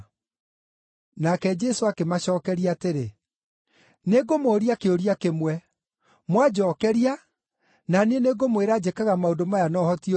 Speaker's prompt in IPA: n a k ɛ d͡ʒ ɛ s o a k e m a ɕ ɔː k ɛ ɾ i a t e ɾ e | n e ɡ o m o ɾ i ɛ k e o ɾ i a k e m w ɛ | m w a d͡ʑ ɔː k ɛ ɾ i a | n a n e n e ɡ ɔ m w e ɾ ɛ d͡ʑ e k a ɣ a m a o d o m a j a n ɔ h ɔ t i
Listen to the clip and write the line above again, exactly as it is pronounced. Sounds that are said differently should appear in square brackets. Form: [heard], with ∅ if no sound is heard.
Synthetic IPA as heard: n a k ɛ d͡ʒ ɛ s o a k e m a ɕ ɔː k ɛ ɾ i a t e ɾ e | n e ɡ o m o ɾ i [a] k e o ɾ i a k e m w ɛ | m w a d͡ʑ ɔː k ɛ ɾ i a | n a n e n e ɡ [o] m w e ɾ [a] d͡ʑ e k a ɣ a m a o d o m a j a n ɔ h ɔ t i